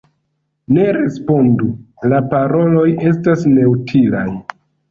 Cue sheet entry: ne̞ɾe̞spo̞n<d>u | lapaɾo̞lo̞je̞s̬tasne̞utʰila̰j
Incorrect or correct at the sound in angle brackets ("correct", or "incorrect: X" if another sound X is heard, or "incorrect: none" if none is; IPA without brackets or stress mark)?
correct